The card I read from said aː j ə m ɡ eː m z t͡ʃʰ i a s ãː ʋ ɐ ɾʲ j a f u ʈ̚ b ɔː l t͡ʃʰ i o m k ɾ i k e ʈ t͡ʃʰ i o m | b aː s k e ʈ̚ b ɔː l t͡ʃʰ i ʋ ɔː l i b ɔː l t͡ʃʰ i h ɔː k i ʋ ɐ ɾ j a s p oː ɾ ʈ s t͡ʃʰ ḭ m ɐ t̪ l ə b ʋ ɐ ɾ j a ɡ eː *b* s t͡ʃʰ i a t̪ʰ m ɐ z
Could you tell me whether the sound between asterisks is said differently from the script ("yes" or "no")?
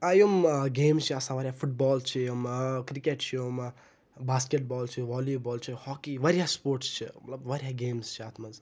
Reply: yes